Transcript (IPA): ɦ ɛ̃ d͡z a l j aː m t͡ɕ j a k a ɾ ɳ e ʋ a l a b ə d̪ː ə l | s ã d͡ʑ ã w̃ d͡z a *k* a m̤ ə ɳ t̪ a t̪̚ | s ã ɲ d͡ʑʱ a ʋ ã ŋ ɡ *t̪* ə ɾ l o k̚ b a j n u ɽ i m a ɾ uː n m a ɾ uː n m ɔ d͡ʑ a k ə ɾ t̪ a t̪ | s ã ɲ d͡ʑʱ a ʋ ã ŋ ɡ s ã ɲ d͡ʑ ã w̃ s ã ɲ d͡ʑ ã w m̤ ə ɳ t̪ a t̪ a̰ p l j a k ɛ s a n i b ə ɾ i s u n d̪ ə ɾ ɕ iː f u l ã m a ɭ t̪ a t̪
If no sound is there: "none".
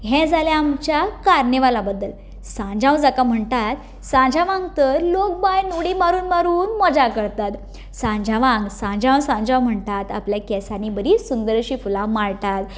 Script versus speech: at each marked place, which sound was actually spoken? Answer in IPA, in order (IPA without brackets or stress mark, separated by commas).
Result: k, t̪